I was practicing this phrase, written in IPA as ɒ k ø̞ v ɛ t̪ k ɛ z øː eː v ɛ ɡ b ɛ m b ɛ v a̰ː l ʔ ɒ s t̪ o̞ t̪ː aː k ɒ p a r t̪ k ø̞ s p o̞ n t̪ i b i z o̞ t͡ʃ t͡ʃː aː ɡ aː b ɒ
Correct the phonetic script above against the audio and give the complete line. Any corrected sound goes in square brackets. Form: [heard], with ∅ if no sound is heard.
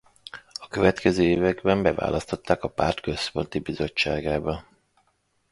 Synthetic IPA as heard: ɒ k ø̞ v ɛ t̪ k ɛ z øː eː v ɛ ɡ b ɛ m b ɛ v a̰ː l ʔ ɒ s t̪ o̞ t̪ː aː k ɒ p a r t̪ k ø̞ s p o̞ n t̪ i b i z o̞ t͡ʃ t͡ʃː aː ɡ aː b ɒ